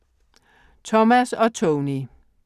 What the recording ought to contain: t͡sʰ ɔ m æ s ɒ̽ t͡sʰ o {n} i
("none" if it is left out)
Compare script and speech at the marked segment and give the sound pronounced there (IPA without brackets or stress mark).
n